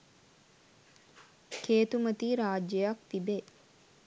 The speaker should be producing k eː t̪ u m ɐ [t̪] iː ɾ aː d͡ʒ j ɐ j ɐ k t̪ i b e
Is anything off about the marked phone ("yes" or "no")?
no